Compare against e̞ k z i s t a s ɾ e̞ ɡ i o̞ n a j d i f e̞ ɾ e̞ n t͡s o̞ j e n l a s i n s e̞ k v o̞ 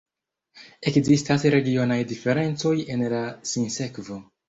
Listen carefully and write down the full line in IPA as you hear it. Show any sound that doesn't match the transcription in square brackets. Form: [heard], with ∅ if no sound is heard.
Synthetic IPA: e̞ k z i s t a s ɾ e̞ ɡ i o̞ n a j d i f e̞ ɾ e̞ n t͡s o̞ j e n l a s i n s e̞ k v o̞